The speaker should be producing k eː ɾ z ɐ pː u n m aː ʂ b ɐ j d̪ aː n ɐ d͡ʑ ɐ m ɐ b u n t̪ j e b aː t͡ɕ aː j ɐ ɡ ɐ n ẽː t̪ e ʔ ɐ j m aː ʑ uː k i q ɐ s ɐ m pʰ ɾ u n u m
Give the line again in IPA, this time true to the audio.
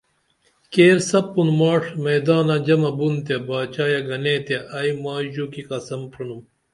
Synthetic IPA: k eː ɾ s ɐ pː u n m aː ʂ m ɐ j d̪ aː n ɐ d͡ʑ ɐ m ɐ b u n t̪ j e b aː t͡ɕ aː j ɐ ɡ ɐ n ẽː t̪ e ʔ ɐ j m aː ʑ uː k i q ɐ s ɐ m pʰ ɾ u n u m